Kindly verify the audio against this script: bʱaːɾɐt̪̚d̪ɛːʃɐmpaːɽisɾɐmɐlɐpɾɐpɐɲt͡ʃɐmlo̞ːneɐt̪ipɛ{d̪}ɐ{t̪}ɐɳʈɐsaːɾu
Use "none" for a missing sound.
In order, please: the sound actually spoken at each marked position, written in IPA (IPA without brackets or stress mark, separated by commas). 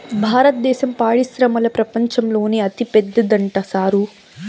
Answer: d̪ː, d̪